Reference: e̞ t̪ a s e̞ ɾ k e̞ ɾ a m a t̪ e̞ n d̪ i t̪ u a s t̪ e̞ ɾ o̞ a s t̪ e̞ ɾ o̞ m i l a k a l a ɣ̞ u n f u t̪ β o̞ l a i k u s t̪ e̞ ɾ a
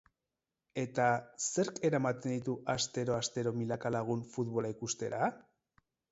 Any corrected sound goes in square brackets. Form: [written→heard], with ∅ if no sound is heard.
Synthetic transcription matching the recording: e̞ t̪ a s e̞ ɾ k e̞ ɾ a m a t̪ e̞ n d̪ i t̪ u a s t̪ e̞ ɾ o̞ a s t̪ e̞ ɾ o̞ m i l a k a l a ɣ̞ u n f u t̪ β o̞ l a i k u s t̪ e̞ ɾ a